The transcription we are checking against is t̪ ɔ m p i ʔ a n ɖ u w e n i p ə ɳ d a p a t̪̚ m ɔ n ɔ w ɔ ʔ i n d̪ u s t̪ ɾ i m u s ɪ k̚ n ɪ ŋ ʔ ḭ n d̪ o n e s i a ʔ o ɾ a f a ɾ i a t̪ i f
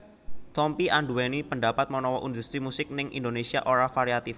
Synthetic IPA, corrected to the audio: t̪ ɔ m p i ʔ a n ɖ u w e n i p ə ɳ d a p a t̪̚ m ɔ n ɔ w ɔ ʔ i n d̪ u s t̪ ɾ i m u s ɪ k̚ n ɪ ŋ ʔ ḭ n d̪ o n e s i a ʔ o ɾ a f a ɾ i a t̪ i f